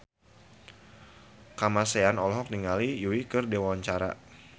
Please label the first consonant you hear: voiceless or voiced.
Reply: voiceless